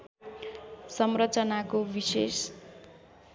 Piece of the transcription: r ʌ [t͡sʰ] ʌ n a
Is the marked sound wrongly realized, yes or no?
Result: yes